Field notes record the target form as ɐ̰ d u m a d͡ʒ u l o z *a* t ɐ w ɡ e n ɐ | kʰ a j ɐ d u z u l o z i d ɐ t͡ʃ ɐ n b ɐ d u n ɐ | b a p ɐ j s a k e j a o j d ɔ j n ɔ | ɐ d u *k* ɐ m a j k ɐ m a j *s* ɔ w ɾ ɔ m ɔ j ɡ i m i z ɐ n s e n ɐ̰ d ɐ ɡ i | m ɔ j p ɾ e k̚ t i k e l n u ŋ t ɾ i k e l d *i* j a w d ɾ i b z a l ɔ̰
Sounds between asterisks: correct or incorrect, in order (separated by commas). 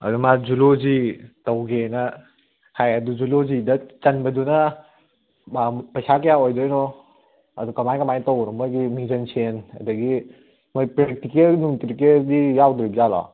incorrect, correct, incorrect, correct